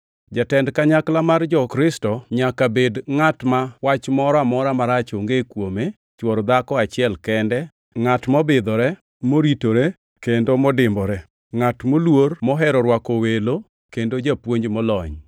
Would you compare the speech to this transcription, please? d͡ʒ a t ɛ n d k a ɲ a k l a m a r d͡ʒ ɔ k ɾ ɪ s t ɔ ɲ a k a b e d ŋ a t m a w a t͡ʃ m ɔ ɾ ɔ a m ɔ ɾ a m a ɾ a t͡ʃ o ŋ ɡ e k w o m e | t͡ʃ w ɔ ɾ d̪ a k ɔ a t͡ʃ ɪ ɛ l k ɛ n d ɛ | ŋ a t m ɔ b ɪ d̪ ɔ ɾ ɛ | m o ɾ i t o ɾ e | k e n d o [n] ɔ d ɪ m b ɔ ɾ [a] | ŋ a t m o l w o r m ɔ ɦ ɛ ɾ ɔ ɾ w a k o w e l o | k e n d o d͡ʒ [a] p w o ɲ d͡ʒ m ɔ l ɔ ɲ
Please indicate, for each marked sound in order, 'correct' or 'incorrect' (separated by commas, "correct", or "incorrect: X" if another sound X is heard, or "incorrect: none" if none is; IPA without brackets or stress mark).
incorrect: m, incorrect: ɛ, correct